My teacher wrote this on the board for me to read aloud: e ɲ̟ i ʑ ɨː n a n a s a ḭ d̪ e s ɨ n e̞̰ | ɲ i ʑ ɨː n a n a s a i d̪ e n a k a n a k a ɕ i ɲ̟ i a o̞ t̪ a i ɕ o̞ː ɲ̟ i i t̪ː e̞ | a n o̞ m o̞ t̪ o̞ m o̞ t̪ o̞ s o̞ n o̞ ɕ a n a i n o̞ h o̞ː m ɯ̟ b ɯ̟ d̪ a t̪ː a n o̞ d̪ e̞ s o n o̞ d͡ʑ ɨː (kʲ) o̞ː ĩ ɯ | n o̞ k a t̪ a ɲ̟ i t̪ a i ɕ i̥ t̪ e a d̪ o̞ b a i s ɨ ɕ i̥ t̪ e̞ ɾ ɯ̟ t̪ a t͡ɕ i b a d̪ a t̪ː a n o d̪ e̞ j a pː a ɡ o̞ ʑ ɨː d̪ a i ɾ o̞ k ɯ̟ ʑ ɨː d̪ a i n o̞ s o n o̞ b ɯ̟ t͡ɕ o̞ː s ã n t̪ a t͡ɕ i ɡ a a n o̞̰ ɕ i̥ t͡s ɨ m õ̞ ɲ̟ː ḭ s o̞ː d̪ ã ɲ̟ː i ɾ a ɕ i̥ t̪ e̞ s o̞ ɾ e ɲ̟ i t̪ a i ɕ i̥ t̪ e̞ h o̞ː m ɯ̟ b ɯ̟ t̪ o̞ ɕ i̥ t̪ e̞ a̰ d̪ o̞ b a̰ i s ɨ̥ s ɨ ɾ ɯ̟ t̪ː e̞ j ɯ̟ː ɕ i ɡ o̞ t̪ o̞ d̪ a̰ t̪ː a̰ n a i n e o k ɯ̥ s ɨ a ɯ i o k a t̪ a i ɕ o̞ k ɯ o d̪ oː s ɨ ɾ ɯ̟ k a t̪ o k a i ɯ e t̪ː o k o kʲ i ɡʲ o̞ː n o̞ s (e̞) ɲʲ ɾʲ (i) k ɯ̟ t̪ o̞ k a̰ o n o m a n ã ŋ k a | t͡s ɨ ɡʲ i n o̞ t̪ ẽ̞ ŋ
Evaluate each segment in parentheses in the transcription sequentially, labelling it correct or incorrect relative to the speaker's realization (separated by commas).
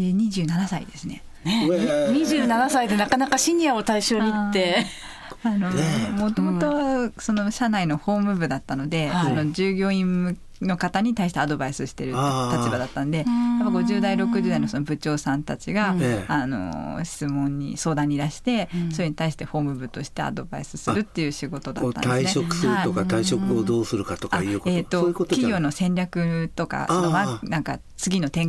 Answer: incorrect, incorrect, incorrect